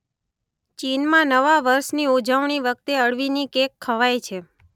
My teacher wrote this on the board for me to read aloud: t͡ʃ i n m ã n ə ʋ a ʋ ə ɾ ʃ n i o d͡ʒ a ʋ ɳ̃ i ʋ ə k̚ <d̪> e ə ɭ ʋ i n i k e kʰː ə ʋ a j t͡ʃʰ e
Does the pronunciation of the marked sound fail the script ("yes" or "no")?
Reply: yes